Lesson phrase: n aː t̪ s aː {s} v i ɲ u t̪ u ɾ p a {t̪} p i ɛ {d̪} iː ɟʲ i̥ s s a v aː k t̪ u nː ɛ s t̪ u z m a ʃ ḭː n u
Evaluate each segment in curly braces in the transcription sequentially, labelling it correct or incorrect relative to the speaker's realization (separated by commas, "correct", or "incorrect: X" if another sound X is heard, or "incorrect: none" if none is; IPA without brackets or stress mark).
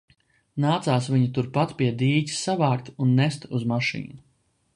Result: correct, correct, correct